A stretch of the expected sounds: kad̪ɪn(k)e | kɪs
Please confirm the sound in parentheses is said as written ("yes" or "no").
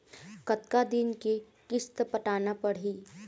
yes